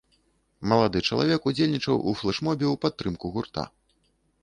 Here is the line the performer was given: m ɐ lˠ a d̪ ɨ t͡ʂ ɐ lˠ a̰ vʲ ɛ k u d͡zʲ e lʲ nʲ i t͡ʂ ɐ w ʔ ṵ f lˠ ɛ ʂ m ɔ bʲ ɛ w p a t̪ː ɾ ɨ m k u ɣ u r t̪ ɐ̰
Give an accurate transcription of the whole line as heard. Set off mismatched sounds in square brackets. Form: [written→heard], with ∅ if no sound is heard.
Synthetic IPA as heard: m ɐ lˠ a d̪ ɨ t͡ʂ ɐ lˠ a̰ vʲ ɛ k u d͡zʲ e lʲ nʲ i t͡ʂ ɐ w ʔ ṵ f lˠ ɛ ʂ m ɔ bʲ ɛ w p a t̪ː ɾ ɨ m k u ɣ u r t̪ [ɐ̰→a̰]